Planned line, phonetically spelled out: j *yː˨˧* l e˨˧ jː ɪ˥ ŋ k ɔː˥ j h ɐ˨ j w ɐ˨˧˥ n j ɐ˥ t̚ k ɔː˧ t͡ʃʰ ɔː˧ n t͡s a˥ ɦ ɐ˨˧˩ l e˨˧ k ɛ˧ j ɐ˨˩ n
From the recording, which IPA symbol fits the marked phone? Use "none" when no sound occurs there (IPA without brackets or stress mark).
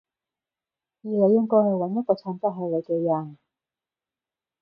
iː˨˧